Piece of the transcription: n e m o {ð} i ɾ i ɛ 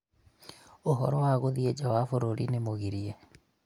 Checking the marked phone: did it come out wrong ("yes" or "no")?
yes